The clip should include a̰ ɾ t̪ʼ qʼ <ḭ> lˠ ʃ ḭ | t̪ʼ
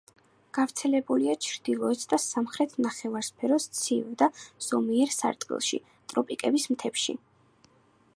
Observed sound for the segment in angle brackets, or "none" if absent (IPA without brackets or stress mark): ḭ